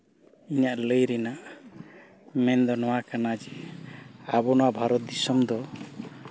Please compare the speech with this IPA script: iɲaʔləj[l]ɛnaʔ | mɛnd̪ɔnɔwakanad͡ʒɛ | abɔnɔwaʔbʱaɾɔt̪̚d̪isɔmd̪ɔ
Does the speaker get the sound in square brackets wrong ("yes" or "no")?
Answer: yes